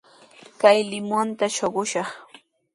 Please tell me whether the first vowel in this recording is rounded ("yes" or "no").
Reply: no